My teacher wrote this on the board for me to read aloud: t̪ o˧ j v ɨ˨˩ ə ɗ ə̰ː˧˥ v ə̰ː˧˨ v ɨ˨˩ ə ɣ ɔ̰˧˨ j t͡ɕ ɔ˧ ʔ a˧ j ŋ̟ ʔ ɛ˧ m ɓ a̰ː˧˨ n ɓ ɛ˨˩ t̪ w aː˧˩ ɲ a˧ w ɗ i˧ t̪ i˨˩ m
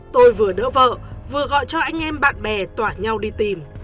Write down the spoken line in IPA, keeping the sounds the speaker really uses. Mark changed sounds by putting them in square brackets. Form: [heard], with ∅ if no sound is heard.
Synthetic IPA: t̪ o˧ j v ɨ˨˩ ə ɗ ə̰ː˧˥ v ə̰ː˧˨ v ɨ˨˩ ə ɣ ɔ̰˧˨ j t͡ɕ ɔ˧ ʔ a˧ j ŋ̟ ʔ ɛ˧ m ɓ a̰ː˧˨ n ɓ ɛ˨˩ t̪ w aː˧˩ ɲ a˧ w ɗ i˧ t̪ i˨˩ m